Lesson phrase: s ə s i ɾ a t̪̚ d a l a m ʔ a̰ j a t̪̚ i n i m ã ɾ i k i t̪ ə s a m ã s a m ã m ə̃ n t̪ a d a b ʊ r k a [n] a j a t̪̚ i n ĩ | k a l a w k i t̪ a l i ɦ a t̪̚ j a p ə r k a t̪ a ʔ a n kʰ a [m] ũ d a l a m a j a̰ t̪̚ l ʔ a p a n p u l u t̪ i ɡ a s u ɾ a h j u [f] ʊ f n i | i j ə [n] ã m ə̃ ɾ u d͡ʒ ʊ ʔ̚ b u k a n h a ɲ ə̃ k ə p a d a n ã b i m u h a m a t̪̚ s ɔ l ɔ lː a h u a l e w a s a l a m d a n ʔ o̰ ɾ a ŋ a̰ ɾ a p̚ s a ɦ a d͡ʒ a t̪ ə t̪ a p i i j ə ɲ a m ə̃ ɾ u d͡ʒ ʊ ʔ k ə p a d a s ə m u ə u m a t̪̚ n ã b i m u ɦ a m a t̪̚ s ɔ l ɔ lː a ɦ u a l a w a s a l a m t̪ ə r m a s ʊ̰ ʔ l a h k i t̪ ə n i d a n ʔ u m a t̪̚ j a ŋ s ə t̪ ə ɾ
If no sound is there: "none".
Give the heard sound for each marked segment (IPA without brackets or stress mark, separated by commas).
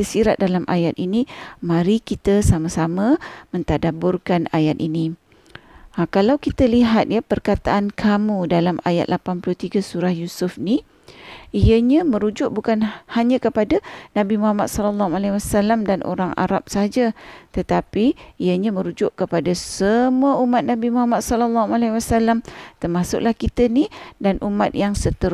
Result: n, m, s, ɲ